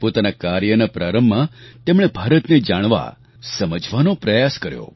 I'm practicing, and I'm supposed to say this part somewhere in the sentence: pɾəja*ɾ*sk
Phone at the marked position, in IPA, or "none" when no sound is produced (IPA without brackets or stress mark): none